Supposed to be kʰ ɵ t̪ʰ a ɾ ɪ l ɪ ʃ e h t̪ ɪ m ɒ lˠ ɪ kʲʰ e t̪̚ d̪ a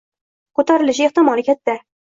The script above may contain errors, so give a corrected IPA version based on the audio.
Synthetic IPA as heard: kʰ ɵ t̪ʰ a ɾ ɪ l ɪ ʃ e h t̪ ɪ m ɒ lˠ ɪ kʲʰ a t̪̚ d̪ a